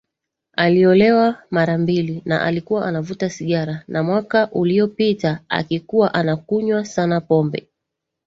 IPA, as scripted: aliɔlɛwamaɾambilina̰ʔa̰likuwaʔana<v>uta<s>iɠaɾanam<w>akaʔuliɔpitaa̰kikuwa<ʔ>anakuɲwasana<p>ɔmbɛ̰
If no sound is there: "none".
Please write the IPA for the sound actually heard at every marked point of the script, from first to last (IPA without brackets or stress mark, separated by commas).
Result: v, s, w, ʔ, p